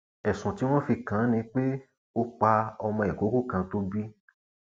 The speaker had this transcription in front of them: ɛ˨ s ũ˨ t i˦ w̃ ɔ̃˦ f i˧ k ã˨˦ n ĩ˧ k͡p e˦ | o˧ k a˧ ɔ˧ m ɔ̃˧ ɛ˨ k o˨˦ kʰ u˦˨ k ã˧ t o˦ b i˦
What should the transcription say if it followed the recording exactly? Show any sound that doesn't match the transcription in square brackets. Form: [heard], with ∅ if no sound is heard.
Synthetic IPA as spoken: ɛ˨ s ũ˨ t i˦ w̃ ɔ̃˦ f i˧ k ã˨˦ n ĩ˧ k͡p e˦ | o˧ [k͡p] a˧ ɔ˧ m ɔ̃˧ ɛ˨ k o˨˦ [k] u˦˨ k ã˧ t o˦ b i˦

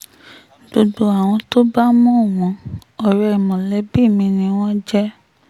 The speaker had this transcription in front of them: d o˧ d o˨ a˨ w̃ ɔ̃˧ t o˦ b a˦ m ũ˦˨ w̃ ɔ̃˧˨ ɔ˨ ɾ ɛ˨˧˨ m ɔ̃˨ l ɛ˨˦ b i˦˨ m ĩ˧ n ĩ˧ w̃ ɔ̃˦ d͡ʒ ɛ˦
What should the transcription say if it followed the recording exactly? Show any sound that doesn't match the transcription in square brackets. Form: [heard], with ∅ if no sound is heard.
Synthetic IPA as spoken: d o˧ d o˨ a˨ w̃ ɔ̃˧ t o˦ b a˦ m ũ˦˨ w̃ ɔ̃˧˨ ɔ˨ ɾ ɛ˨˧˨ m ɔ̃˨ l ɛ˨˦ b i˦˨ m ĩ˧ n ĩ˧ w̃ ɔ̃˦ d͡ʒ ɛ˦

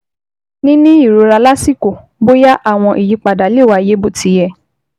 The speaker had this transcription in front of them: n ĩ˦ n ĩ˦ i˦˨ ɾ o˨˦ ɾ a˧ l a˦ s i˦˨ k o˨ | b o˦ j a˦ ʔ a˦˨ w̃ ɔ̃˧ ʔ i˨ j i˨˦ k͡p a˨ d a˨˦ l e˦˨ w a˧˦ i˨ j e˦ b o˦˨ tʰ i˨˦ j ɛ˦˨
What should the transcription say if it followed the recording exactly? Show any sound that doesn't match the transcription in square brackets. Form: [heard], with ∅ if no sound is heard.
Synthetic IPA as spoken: n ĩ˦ n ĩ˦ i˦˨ ɾ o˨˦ ɾ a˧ l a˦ s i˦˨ k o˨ | b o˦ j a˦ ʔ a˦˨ w̃ ɔ̃˧ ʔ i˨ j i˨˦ k͡p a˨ d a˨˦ l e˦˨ w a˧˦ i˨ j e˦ b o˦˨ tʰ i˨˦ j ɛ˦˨

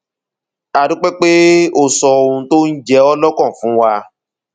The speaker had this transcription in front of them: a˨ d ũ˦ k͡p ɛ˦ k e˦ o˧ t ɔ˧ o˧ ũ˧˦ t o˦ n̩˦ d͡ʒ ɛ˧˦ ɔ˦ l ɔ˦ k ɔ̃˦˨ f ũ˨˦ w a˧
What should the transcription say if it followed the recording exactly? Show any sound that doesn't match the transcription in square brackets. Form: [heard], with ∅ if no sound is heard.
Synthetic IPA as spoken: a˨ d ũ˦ k͡p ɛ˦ [k͡p] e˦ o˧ [s] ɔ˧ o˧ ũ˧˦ t o˦ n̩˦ d͡ʒ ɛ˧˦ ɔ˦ l ɔ˦ k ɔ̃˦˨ f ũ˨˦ w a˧

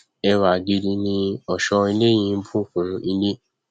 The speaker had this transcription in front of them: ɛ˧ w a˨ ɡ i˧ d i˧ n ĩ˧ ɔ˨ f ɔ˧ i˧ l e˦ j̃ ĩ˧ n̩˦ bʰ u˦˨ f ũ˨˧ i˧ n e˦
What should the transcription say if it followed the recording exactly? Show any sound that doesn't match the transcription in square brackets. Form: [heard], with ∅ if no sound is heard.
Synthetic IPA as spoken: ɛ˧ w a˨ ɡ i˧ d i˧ n ĩ˧ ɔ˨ [ʃ] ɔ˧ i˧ l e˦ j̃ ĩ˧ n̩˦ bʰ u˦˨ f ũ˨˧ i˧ n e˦

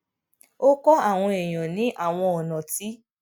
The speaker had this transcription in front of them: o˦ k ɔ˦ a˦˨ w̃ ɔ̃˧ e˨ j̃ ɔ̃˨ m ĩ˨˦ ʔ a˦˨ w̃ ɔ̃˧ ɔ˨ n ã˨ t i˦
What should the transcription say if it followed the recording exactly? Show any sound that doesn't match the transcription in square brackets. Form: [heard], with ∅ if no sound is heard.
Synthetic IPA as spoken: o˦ k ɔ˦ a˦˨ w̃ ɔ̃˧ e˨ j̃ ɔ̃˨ [n] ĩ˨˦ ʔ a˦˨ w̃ ɔ̃˧ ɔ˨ n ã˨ t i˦

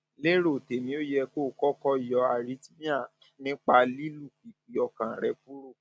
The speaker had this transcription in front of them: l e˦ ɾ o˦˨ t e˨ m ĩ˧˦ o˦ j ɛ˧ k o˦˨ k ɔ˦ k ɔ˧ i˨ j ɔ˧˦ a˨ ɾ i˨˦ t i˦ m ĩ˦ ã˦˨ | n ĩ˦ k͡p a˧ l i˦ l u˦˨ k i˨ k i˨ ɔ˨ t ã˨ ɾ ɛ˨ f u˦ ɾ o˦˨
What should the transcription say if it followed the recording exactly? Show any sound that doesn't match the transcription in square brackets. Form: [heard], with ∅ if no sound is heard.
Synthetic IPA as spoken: l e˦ ɾ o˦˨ t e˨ m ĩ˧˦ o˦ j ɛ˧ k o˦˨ k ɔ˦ k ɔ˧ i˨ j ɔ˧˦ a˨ ɾ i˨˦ t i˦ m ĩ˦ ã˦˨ | n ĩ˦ k͡p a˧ l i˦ l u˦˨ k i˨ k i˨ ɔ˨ [k] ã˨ ɾ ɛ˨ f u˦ ɾ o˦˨

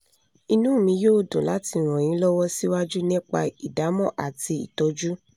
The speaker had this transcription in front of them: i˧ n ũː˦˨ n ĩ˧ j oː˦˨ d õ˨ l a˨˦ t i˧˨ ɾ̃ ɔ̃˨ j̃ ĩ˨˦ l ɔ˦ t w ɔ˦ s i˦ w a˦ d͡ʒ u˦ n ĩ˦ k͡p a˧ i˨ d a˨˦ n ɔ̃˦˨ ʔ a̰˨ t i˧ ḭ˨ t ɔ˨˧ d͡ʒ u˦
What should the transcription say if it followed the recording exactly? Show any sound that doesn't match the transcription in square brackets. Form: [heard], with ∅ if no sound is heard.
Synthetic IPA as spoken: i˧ n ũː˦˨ [m] ĩ˧ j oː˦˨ d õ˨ l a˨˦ t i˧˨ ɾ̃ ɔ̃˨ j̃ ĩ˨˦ l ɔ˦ [∅] w ɔ˦ s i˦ w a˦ d͡ʒ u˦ n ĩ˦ k͡p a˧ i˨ d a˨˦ [m] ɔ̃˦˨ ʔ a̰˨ t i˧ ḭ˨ t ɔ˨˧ d͡ʒ u˦

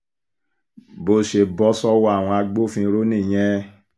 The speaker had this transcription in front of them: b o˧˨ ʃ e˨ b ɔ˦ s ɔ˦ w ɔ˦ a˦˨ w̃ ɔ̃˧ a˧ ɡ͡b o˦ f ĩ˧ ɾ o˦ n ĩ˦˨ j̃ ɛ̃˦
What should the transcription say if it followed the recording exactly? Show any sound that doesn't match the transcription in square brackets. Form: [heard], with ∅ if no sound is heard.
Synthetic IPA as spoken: b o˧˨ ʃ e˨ b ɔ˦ s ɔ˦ w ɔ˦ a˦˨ w̃ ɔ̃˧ a˧ ɡ͡b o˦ f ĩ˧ ɾ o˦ n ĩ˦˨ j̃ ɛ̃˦

